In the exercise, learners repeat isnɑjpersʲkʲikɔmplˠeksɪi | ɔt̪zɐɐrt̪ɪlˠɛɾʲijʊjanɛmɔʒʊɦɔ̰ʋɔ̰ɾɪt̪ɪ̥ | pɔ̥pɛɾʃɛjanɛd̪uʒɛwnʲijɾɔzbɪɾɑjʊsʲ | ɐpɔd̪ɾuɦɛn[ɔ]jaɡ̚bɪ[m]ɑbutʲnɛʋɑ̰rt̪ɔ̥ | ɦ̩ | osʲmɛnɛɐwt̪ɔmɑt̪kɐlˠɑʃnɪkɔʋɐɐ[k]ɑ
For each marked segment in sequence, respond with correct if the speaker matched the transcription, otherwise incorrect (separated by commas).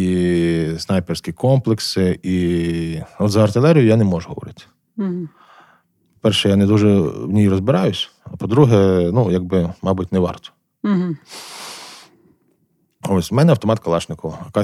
incorrect, correct, correct